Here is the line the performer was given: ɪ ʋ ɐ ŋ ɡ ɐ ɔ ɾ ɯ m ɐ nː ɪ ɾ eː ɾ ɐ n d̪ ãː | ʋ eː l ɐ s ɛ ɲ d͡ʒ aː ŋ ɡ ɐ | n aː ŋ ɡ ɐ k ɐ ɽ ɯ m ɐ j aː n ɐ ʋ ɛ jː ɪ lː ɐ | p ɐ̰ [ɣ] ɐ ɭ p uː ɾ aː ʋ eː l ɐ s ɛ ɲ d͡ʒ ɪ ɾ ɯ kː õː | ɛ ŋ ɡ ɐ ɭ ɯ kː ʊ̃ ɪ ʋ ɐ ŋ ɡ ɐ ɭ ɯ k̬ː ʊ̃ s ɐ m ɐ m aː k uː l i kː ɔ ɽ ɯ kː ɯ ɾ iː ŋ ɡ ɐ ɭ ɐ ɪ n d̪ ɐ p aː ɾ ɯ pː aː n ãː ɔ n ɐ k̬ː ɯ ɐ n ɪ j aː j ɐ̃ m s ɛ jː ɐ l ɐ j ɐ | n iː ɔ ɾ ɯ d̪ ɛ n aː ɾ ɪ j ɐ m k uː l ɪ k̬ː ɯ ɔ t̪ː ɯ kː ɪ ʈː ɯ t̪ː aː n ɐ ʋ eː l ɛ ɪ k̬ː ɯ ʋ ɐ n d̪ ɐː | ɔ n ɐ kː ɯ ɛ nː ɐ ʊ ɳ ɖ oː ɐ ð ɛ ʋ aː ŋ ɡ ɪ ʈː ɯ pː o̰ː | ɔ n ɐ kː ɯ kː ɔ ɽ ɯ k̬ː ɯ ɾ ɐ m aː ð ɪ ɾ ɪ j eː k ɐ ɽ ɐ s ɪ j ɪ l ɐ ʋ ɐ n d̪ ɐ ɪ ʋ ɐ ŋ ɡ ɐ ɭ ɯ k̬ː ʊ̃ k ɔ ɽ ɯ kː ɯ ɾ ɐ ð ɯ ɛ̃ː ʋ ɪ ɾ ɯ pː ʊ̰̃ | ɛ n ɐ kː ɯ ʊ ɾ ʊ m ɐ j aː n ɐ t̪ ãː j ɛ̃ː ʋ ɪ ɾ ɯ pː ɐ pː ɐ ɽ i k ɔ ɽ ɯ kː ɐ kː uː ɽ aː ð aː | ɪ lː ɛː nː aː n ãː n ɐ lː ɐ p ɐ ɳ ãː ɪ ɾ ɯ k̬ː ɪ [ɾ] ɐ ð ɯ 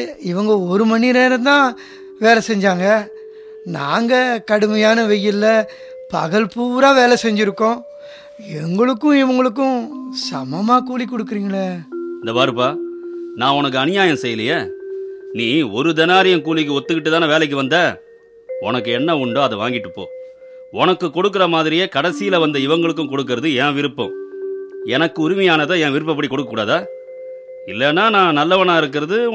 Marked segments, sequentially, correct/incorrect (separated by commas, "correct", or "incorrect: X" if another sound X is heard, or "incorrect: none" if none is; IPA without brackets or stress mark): correct, correct